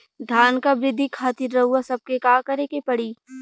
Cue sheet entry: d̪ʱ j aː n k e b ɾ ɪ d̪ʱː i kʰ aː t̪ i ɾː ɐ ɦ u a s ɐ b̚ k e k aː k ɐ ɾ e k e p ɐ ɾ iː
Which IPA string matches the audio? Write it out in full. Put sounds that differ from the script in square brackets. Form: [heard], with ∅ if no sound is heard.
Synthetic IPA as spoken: d̪ʱ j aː n k [a] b ɾ ɪ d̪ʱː i kʰ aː t̪ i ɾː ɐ ɦ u a s ɐ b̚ k e k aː k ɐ ɾ e k e p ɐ [ɽ] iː